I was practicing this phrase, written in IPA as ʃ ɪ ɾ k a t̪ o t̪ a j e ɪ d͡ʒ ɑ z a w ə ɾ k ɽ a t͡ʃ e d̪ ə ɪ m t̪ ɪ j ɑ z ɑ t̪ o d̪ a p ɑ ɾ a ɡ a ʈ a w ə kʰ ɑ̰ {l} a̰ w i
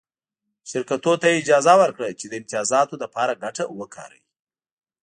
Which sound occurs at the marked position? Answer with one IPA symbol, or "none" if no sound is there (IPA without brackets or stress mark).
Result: ɾ